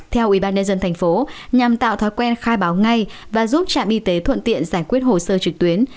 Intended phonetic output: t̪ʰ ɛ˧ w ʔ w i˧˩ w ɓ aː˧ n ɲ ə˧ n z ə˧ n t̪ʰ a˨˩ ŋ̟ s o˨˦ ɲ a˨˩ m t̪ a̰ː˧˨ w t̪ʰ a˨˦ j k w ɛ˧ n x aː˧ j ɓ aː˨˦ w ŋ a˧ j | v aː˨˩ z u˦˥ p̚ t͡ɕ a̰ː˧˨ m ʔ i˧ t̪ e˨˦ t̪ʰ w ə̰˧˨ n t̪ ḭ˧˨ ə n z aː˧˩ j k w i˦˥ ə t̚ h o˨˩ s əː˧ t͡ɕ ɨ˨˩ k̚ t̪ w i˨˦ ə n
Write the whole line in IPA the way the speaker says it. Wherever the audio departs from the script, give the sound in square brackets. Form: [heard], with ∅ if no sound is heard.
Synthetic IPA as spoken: t̪ʰ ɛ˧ w ʔ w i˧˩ [∅] ɓ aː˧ n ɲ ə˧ n z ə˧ n t̪ʰ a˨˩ ŋ̟ [f] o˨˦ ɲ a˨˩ m t̪ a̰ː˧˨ w t̪ʰ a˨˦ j k w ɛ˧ n x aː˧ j ɓ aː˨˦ w ŋ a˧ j | v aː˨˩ z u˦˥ p̚ t͡ɕ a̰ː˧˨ m ʔ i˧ t̪ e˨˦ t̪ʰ w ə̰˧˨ n t̪ ḭ˧˨ ə n z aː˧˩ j k w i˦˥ ə t̚ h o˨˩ s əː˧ t͡ɕ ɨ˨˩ k̚ t̪ w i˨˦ ə n